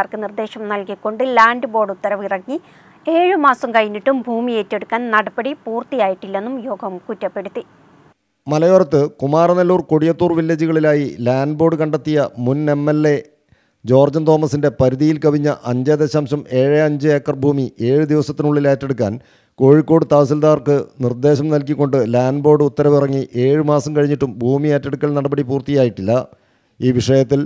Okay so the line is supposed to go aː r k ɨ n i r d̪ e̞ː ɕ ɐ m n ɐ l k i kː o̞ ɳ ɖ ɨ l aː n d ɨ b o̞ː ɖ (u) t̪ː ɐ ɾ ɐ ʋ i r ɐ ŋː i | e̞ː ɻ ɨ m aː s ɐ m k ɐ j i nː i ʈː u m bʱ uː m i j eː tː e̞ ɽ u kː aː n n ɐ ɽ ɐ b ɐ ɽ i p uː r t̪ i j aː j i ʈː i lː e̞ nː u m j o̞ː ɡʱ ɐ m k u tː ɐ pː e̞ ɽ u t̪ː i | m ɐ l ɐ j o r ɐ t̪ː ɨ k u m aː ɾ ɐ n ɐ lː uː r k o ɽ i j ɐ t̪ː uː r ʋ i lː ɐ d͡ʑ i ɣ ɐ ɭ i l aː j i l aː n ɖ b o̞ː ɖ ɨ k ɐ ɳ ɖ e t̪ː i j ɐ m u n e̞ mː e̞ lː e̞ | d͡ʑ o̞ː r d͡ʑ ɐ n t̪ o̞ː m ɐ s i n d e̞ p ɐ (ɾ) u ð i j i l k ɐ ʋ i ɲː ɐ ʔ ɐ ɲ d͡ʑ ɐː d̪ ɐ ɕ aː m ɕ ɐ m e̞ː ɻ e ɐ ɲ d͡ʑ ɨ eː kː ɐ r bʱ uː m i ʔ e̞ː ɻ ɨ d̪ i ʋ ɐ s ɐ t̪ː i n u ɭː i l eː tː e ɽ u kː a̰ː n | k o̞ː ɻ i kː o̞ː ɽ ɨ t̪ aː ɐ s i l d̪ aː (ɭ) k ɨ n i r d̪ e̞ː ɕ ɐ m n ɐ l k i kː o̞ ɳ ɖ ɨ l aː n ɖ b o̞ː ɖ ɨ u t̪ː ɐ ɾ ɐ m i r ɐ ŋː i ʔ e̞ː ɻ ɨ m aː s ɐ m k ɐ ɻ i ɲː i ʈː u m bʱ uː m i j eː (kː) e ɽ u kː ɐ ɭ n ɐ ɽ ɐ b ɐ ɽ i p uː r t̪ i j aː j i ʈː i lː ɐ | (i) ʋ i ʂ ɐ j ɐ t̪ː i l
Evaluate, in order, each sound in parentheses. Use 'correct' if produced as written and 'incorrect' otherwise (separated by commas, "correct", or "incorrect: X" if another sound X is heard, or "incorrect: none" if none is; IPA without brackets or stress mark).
correct, correct, incorrect: r, incorrect: tː, incorrect: iː